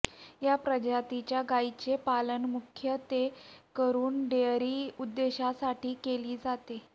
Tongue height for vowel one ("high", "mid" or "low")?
low